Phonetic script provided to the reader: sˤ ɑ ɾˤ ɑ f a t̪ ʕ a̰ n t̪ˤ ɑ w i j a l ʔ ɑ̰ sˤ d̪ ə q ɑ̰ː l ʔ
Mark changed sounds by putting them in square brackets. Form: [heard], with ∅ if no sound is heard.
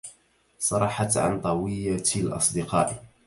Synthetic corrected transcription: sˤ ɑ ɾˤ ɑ [ħ] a t̪ ʕ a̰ n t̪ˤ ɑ w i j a l ʔ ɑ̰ sˤ d̪ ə q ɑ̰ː [∅] ʔ

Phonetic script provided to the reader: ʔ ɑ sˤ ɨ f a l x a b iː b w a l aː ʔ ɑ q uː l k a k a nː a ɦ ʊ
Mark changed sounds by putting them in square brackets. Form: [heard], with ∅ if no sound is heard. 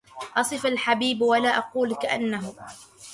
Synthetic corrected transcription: ʔ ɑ sˤ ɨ f a l [ħ] a b iː b w a l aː ʔ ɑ q uː l k a [ʔ] a nː a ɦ ʊ

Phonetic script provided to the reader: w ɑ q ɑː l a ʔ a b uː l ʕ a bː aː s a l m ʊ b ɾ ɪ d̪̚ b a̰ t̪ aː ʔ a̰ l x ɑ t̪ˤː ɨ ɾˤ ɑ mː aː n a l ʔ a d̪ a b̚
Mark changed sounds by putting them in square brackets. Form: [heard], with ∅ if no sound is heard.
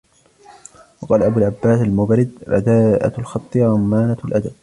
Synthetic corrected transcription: w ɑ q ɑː l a ʔ a b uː l ʕ a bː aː s a l m ʊ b ɾ ɪ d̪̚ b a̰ [d̪] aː ʔ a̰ l x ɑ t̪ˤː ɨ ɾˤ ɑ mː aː n a l ʔ a d̪ a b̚

